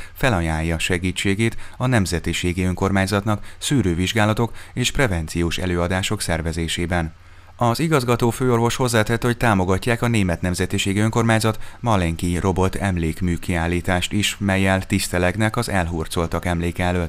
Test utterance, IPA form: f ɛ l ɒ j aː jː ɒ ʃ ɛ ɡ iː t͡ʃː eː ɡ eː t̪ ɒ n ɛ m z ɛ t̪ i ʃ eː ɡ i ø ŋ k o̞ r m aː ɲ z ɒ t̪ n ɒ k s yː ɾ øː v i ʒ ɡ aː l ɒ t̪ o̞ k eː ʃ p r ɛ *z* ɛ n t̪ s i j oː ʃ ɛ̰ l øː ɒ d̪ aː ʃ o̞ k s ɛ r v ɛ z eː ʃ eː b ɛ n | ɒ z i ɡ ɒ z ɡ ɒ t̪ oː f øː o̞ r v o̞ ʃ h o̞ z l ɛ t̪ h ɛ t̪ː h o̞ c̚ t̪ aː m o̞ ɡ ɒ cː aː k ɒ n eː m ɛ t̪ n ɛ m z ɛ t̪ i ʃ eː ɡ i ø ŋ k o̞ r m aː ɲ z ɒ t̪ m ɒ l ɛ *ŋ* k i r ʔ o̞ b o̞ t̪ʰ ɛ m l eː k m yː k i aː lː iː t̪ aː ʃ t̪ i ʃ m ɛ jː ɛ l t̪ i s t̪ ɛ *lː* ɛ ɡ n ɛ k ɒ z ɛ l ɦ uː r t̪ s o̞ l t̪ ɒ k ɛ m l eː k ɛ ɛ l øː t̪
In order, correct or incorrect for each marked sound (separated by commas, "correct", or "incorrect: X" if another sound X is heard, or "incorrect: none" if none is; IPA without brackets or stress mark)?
incorrect: v, correct, incorrect: l